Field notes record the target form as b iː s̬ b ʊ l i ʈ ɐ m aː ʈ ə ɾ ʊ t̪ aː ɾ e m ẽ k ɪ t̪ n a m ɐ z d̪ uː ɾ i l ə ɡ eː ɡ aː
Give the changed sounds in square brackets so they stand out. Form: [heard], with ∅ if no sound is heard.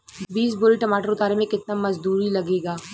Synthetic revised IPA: b iː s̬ b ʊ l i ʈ ɐ m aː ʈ ə ɾ ʊ t̪ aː ɾ e m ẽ k ɪ t̪ n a m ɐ z d̪ uː ɾ i l [ɐ] ɡ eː ɡ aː